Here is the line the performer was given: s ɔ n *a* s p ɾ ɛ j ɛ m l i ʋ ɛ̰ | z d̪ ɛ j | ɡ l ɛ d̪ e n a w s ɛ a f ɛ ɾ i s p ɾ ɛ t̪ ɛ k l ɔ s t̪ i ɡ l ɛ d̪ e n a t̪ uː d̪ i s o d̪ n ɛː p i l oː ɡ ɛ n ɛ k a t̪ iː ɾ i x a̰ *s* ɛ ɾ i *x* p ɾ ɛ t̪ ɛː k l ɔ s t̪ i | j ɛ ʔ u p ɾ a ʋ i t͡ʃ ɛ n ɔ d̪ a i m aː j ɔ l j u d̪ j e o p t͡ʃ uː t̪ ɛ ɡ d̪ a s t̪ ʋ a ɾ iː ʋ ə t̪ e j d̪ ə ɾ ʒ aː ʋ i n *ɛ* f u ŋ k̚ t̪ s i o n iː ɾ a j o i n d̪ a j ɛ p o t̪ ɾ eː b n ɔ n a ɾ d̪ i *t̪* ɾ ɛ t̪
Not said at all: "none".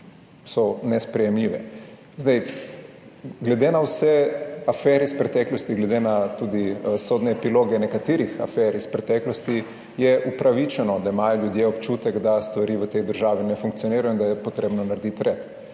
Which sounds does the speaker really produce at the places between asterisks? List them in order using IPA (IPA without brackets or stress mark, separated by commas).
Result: ɛ, f, s, ɛ, t̪